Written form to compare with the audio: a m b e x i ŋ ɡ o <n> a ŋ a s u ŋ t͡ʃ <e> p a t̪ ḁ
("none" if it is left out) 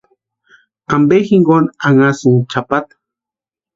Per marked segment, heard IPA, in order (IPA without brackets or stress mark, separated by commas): n, a